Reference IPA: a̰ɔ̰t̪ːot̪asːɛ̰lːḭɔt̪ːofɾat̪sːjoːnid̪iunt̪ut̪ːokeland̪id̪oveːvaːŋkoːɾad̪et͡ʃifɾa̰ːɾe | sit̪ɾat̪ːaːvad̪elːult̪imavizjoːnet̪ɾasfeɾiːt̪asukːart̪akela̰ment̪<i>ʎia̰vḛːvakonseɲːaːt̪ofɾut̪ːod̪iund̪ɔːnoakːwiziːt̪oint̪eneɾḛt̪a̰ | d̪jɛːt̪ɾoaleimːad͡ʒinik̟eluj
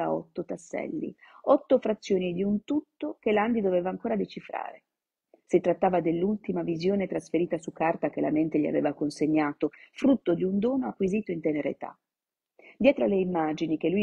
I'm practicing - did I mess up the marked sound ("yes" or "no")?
yes